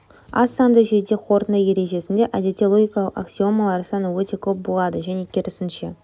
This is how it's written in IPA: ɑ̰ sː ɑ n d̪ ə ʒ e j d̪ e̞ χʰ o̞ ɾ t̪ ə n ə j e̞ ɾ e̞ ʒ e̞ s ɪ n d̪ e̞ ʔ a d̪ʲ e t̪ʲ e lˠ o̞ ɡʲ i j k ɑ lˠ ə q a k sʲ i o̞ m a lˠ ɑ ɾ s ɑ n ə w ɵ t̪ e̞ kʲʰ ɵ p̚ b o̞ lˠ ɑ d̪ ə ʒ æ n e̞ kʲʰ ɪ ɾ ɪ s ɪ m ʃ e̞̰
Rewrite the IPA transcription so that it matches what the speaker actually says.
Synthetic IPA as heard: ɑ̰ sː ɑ n d̪ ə ʒ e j d̪ e̞ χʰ o̞ ɾ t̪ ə n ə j e̞ ɾ e̞ ʒ e̞ s ɪ n d̪ e̞ ʔ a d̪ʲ e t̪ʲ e lˠ o̞ ɡʲ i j k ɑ lˠ ə q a k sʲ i o̞ m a lˠ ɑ ɾ s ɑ n ə w ɵ t̪ e̞ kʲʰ ɵ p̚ b o̞ lˠ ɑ d̪ ə ʒ æ n e̞ kʲʰ ɪ ɾ ɪ s ɪ n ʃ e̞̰

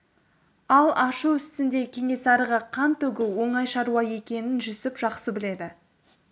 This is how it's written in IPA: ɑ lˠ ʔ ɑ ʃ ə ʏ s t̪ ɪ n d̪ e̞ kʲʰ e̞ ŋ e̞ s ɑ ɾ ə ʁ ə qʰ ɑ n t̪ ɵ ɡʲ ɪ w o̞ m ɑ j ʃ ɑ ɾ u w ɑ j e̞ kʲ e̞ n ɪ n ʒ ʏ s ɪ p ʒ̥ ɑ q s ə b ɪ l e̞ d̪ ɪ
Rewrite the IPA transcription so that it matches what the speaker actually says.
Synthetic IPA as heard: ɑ lˠ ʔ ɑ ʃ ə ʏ s t̪ ɪ n d̪ e̞ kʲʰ e̞ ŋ e̞ s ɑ ɾ ə ʁ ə qʰ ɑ n t̪ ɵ ɡʲ ɪ w o̞ ɴ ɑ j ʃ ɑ ɾ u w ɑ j e̞ kʲ e̞ n ɪ n ʒ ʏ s ɪ p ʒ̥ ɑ q s ə b ɪ l e̞ d̪ ɪ

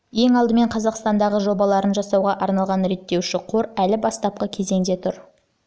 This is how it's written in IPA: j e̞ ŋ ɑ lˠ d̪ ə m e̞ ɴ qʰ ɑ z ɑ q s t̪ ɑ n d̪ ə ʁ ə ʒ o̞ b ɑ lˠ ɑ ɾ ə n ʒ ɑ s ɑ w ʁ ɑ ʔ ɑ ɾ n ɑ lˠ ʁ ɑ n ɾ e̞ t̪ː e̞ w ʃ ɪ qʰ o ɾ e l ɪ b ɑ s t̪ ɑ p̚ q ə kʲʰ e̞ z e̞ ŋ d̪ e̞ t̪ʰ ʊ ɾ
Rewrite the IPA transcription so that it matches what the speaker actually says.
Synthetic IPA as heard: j e̞ ŋ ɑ lˠ d̪ ə m e̞ ɴ qʰ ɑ z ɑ q s t̪ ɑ n d̪ ɑ ʁ ə ʒ o̞ b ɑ lˠ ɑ ɾ ə n ʒ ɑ s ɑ w ʁ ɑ ʔ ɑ ɾ n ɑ lˠ ʁ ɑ n ɾ e̞ t̪ː e̞ w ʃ ɪ qʰ o ɾ æ l ɪ b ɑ s t̪ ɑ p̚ q ə kʲʰ e̞ z e̞ ŋ d̪ e̞ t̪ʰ ʊ ɾ

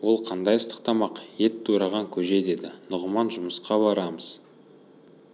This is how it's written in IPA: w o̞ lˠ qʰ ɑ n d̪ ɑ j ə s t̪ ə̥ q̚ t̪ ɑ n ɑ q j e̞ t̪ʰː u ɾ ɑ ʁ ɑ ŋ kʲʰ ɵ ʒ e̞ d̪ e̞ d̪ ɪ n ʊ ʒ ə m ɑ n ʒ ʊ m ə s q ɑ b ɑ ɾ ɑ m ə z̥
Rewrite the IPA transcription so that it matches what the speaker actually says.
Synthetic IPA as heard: w o̞ lˠ qʰ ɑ n d̪ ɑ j ə s t̪ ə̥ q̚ t̪ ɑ m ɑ q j e̞ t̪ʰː u ɾ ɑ ʁ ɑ ŋ kʲʰ ɵ ʒ e̞ d̪ e̞ d̪ ɪ n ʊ ʁ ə m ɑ n ʒ ʊ m ə s q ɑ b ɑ ɾ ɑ m ə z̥

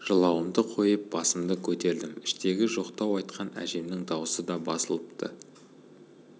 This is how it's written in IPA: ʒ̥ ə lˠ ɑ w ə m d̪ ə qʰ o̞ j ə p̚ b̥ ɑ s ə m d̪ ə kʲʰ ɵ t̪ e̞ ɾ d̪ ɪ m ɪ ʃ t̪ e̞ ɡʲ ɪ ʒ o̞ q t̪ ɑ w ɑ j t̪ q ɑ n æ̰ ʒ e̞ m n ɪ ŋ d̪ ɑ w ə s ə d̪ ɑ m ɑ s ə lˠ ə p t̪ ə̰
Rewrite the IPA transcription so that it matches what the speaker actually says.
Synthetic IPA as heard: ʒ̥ ə lˠ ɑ w ə m d̪ ə qʰ o̞ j ə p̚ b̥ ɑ s ə m d̪ ə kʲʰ ɵ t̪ e̞ ɾ d̪ ɪ m ɪ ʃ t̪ e̞ ɡʲ ɪ ʒ o̞ q t̪ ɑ w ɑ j t̪ q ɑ n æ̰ ʒ e̞ m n ɪ ŋ d̪ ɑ w ə s ə d̪ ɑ b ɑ s ə lˠ ə p t̪ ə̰

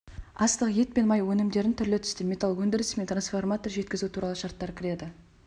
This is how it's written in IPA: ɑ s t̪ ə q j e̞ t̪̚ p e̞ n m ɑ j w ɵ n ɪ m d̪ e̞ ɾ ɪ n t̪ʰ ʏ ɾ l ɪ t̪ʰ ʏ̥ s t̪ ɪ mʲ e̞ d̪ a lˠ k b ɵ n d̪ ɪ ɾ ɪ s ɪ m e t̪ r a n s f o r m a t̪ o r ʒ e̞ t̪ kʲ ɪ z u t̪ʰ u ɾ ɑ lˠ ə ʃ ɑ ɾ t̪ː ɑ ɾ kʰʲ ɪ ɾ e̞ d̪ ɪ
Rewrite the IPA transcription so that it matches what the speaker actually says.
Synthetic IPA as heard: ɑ s t̪ ə q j e̞ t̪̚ p e̞ n m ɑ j w ɵ n ɪ m d̪ e̞ ɾ ɪ n t̪ʰ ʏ ɾ l ɪ t̪ʰ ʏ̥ s t̪ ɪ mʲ e̞ t̪ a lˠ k w ɵ n d̪ ɪ ɾ ɪ s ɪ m e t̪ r a n s f o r m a t̪ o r ʒ e̞ t̪ kʲ ɪ z u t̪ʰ u ɾ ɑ lˠ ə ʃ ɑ ɾ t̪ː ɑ ɾ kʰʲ ɪ ɾ e̞ d̪ ɪ

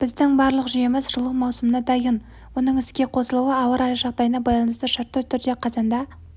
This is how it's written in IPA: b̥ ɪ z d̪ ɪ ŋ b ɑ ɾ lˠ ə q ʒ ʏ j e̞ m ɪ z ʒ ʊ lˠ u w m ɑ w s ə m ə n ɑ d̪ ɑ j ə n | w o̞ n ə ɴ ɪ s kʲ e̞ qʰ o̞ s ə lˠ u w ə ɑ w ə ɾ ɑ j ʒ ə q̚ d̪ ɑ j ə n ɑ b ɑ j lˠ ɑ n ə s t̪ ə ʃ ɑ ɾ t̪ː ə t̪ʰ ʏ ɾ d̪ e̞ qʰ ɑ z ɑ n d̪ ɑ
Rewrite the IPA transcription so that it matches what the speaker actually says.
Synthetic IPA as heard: b̥ ɪ z d̪ ɪ ŋ b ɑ ɾ lˠ ə q ʒ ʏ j e̞ m ɪ z ʒ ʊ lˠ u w m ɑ w s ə m ə n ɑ d̪ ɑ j ə n | w o̞ n ə ɴ ɪ s kʲ e̞ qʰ o̞ s ə lˠ u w ə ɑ w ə ɾ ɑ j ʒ ɑ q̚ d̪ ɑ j ə n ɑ b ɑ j lˠ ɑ n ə s t̪ ə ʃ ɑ ɾ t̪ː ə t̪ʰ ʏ ɾ d̪ e̞ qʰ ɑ z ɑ n d̪ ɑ

